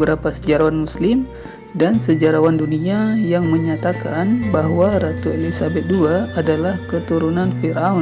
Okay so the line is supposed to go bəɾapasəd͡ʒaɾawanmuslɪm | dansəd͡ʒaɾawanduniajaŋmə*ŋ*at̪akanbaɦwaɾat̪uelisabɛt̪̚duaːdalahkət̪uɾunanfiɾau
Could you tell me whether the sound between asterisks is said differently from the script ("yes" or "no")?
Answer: yes